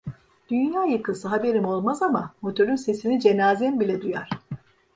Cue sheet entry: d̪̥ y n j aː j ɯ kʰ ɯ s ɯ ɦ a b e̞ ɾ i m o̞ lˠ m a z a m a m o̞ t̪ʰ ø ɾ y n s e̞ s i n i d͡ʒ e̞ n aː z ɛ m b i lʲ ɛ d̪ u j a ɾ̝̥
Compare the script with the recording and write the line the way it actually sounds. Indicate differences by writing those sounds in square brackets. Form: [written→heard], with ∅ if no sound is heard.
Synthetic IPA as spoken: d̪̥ y n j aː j ɯ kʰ ɯ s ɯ ɦ a b e̞ ɾ i m o̞ lˠ m a z a m a m o̞ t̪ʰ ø ɾ y n s e̞ s i n i d͡ʒ e̞ n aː z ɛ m b i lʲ ɛ d̪ u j a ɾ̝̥